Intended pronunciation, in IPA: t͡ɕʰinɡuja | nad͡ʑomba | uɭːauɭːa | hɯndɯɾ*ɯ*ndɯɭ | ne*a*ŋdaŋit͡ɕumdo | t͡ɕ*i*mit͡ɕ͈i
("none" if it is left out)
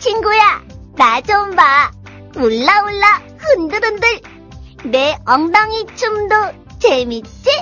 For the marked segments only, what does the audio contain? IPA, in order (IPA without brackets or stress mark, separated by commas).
ɯ, ʌ, e